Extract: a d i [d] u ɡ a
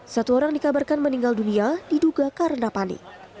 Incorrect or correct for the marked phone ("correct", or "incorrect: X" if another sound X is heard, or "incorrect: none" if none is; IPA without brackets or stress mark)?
correct